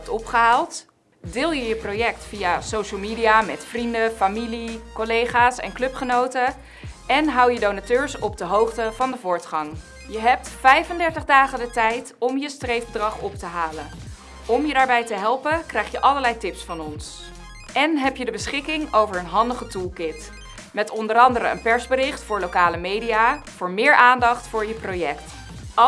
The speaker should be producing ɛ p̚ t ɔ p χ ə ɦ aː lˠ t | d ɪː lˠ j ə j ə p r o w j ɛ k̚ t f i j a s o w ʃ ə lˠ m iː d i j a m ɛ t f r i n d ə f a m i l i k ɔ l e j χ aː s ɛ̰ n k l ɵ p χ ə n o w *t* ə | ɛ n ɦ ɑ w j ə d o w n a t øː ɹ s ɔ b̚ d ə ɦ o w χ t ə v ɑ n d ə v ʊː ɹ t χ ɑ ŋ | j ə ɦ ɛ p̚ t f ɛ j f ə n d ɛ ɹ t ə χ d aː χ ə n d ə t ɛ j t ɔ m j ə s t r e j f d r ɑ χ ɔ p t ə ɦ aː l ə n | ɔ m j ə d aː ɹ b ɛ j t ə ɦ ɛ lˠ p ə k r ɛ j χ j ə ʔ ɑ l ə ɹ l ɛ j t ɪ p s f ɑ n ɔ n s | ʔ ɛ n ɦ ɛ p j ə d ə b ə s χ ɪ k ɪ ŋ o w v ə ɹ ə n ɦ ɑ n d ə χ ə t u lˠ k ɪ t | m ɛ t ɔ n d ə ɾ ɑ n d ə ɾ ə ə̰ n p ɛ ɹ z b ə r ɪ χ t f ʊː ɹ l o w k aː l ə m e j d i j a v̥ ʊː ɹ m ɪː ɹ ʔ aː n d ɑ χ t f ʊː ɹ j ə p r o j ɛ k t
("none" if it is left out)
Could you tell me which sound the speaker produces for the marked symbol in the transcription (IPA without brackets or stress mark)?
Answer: t